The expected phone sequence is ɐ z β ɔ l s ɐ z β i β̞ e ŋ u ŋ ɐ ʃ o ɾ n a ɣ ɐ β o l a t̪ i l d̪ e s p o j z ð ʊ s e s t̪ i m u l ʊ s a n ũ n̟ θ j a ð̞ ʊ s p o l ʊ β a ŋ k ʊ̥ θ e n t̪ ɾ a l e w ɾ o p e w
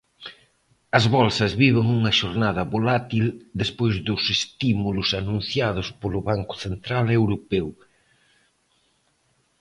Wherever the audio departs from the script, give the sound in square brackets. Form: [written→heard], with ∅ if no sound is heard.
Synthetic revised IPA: ɐ z β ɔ l s ɐ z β i β̞ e ŋ u ŋ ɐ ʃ o ɾ n a [ɣ→ð] ɐ β o l a t̪ i l d̪ e s p o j z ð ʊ s e s t̪ i m u l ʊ s a n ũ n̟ θ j a ð̞ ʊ s p o l ʊ β a ŋ k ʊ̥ θ e n t̪ ɾ a l e w ɾ o p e w